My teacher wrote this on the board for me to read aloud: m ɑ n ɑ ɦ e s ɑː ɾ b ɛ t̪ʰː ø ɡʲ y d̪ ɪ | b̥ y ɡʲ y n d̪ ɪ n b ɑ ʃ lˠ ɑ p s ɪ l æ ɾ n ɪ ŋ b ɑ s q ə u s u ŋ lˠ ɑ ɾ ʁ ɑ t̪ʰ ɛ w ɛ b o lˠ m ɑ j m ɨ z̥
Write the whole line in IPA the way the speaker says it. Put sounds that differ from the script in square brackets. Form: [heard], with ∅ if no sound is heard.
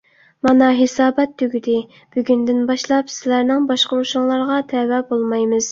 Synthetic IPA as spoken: m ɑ n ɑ ɦ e s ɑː [∅] b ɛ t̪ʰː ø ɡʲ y d̪ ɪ | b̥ y ɡʲ y n d̪ ɪ n b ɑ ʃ lˠ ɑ p s ɪ l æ ɾ n ɪ ŋ b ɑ [ʃ] q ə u [ʃ] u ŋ lˠ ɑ ɾ ʁ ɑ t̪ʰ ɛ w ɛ b o lˠ m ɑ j m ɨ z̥